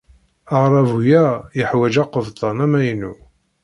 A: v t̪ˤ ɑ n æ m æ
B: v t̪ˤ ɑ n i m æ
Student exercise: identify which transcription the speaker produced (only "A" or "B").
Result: A